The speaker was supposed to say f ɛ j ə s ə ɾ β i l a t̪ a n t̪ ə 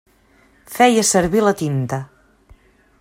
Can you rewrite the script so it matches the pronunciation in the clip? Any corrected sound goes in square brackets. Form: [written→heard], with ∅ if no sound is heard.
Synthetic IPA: f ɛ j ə s ə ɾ β i l [a→ə] t̪ [a→i] n t̪ ə

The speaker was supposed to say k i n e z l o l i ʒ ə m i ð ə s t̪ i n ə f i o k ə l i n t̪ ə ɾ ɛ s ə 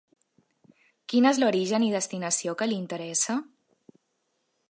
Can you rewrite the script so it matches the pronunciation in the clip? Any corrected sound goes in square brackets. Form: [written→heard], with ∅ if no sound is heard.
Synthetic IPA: k i n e z l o [l→ɾ] i ʒ ə [m→n] i ð ə s t̪ i n ə [f→s] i o k ə l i n t̪ ə ɾ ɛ s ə

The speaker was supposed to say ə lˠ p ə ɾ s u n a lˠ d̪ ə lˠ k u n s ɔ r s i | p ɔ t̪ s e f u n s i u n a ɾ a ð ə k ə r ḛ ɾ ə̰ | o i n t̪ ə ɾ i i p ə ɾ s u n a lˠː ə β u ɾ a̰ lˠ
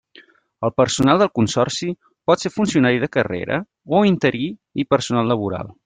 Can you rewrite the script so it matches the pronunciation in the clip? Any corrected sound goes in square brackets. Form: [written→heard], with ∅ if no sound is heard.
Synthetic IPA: ə lˠ p ə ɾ s u n a lˠ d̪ ə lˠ k u n s ɔ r s i | p ɔ t̪ s e f u n s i u n a ɾ [a→i] ð ə k ə r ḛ ɾ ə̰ | o i n t̪ ə ɾ i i p ə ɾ s u n a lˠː ə β u ɾ a̰ lˠ

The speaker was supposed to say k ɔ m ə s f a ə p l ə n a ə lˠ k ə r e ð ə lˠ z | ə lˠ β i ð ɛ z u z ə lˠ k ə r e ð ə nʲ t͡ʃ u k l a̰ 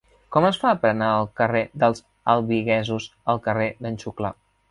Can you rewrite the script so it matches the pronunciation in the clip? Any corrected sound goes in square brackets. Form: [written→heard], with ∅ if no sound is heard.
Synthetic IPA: k ɔ m ə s f a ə p [l→ɾ] ə n a ə lˠ k ə r e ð ə lˠ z | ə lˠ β i [ð→ɣ] ɛ z u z ə lˠ k ə r e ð ə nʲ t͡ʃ u k l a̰

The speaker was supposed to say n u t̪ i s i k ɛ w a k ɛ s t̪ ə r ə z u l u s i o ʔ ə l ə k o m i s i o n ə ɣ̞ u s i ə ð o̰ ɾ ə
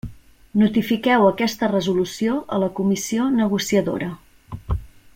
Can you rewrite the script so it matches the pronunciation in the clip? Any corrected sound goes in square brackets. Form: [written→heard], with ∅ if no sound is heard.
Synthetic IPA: n u t̪ i [s→f] i k ɛ w [a→ə] k ɛ s t̪ ə r ə z u l u s i o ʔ ə l ə k [o→u] m i s i o n ə ɣ̞ u s i ə ð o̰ ɾ ə

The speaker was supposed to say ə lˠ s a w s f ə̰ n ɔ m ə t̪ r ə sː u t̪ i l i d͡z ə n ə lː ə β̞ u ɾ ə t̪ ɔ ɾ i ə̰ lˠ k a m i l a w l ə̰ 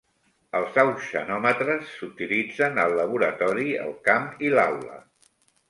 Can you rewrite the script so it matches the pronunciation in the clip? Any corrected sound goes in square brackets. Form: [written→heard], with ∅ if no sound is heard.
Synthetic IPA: ə lˠ [s→z] a w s [f→ʃ] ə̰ n ɔ m ə t̪ [r→ɾ] ə sː u t̪ i l i d͡z ə n ə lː ə β̞ u ɾ ə t̪ ɔ ɾ i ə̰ lˠ k a m i l a w l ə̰

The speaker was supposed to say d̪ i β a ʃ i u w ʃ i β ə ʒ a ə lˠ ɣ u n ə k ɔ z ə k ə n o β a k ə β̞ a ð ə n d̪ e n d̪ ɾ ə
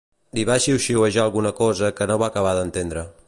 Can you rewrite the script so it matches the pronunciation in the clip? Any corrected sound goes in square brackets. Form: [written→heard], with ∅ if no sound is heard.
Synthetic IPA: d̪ i β a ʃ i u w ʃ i [β→w] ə ʒ a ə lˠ ɣ u n ə k ɔ z ə k ə n o β a k ə β̞ a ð ə n [d̪→t̪] e n d̪ ɾ ə

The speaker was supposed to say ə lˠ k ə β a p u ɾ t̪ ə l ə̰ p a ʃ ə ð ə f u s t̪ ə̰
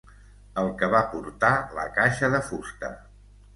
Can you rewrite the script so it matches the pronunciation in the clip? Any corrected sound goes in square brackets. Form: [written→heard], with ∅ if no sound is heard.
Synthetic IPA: ə lˠ k ə β a p u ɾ t̪ [ə→a] l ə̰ [p→k] a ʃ ə ð ə f u s t̪ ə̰

